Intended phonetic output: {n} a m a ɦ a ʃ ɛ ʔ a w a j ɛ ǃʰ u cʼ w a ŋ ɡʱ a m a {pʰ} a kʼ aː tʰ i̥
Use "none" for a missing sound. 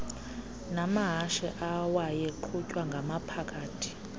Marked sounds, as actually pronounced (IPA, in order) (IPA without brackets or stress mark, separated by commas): n, pʰ